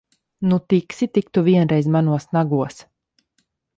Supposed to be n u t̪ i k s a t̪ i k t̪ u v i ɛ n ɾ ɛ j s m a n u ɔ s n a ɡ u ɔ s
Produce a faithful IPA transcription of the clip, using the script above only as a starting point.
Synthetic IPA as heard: n u t̪ i k s i t̪ i k t̪ u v i ɛ n ɾ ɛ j z m a n u ɔ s n a ɡ u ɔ s